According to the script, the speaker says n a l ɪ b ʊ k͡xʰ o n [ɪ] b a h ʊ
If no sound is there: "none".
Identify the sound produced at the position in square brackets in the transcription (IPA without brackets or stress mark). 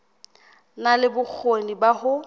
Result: i